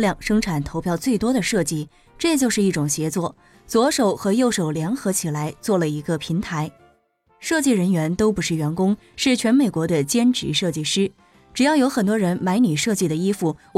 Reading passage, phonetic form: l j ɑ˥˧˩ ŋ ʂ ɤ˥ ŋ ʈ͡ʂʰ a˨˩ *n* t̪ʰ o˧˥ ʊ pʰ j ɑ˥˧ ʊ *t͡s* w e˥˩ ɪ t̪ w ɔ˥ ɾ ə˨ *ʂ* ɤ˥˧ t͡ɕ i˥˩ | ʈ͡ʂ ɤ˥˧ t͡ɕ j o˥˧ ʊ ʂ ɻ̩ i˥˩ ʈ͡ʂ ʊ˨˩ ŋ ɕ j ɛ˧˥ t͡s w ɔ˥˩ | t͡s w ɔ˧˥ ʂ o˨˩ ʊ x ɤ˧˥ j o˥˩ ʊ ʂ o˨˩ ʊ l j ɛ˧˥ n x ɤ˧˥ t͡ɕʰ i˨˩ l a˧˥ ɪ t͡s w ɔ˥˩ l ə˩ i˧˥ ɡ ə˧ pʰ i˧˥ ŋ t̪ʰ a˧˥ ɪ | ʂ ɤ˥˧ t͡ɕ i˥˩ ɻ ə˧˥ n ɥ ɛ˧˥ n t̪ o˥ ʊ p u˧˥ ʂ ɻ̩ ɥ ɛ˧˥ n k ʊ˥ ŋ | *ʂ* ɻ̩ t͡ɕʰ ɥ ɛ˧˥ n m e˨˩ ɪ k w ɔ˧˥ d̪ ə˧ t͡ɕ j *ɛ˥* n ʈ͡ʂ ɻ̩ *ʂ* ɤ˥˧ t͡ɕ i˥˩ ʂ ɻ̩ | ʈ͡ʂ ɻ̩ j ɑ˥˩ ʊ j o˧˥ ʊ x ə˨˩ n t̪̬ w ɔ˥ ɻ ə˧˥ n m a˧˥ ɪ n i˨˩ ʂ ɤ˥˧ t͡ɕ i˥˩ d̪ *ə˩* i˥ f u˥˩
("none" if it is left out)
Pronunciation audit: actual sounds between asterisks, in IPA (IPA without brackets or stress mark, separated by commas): n, t͡s, ʂ, ʂ, ɛ˥, ʂ, ə˩